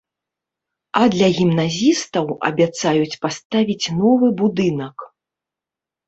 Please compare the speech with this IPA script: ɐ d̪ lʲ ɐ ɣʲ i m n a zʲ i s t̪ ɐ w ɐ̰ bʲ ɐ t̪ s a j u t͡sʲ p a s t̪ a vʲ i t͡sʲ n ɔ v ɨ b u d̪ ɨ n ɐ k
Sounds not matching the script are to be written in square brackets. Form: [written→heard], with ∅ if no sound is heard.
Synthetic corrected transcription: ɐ d̪ lʲ ɐ ɣʲ i m n a zʲ i s t̪ ɐ w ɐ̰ bʲ [ɐ→a] t̪ s a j u t͡sʲ p a s t̪ a vʲ i t͡sʲ n ɔ v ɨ b u d̪ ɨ n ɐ k

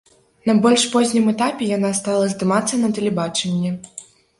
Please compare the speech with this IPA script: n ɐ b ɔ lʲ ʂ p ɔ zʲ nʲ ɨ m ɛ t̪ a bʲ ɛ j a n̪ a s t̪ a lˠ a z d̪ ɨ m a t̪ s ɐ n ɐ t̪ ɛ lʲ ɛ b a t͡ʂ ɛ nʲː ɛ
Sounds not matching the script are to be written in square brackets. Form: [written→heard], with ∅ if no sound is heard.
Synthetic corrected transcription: n ɐ b ɔ lʲ ʂ p ɔ zʲ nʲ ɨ m ɛ t̪ a [bʲ→pʲ] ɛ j a n̪ a s t̪ a lˠ [a→ɐ] z d̪ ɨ m a t̪ [s→sː] ɐ n ɐ t̪ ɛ lʲ ɛ b a t͡ʂ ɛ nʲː ɛ

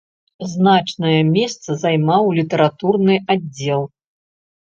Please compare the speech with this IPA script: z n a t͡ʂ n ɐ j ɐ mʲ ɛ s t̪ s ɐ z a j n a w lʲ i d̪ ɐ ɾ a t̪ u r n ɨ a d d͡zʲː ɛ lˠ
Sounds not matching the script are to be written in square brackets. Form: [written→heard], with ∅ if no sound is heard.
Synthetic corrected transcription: z n a t͡ʂ n ɐ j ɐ mʲ ɛ s t̪ s ɐ z a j [n→m] a w lʲ i [d̪→t̪] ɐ ɾ a t̪ u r n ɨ a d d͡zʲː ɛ lˠ

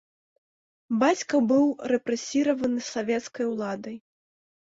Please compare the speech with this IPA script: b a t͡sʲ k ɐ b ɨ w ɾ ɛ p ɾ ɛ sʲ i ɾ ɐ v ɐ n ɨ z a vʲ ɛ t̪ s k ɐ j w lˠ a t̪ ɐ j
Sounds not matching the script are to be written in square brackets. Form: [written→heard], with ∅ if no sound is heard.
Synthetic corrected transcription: b a t͡sʲ k ɐ b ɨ w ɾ ɛ p ɾ ɛ sʲ i ɾ ɐ v ɐ n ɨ [z→s] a vʲ ɛ t̪ s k ɐ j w lˠ a [t̪→d̪] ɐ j

